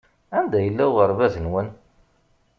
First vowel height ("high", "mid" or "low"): low